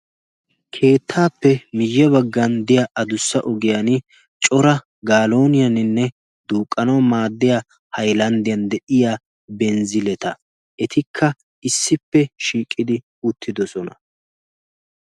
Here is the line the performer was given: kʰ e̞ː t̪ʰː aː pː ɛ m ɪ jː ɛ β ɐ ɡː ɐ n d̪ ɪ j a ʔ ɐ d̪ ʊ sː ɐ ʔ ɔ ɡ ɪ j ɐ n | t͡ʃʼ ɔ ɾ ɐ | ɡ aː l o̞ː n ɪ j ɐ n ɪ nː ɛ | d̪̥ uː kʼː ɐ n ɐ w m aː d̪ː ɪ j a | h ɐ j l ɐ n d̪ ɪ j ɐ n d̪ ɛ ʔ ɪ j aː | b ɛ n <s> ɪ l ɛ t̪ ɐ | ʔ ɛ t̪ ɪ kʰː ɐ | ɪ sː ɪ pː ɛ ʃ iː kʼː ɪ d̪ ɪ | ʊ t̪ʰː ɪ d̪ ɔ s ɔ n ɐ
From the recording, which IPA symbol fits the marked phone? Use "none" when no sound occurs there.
z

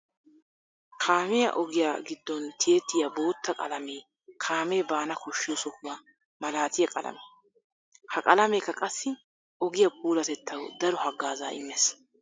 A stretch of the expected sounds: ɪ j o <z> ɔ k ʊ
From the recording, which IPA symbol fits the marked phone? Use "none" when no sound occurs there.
s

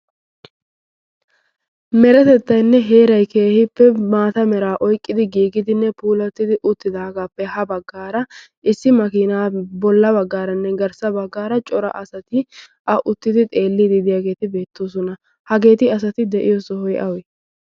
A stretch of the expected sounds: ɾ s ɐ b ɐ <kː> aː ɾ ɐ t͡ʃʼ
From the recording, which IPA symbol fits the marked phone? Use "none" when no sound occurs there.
ɡː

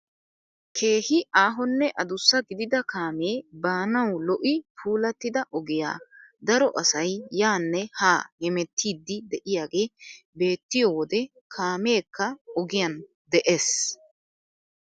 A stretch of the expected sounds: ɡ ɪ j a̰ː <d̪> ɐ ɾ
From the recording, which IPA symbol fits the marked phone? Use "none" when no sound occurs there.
d̪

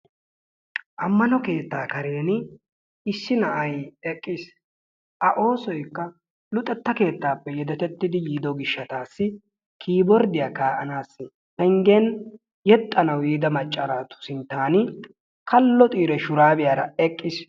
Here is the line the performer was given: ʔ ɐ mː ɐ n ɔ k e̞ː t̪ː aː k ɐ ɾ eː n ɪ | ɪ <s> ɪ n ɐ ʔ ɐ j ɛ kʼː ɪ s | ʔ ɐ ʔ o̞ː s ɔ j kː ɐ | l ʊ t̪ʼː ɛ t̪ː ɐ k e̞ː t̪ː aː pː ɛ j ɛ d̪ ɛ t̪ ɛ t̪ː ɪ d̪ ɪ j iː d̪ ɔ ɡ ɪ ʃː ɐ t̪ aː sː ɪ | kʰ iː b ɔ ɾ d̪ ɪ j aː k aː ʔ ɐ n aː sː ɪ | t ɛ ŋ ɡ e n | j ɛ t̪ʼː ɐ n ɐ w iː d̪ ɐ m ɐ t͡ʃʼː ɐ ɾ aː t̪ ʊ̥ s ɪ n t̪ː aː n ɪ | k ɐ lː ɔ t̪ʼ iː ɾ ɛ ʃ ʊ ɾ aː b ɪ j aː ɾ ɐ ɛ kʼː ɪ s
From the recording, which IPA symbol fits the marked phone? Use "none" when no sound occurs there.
sː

